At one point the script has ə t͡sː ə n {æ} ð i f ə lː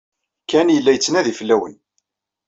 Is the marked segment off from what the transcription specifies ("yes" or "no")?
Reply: no